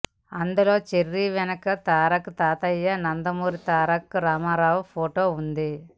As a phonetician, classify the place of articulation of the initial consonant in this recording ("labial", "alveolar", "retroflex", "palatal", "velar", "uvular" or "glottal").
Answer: alveolar